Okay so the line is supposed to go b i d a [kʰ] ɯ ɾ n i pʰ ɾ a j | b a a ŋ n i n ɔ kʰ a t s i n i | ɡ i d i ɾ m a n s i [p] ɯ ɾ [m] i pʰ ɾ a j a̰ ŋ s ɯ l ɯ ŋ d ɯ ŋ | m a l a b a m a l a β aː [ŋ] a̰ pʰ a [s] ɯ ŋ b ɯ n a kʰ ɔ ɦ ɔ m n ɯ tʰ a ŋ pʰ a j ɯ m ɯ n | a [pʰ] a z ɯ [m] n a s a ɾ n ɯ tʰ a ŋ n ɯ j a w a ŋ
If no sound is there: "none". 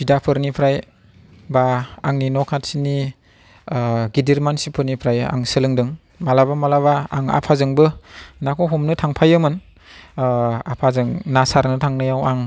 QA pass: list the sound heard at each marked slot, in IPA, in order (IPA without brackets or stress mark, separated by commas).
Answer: pʰ, pʰ, n, ŋ, z, pʰ, ŋ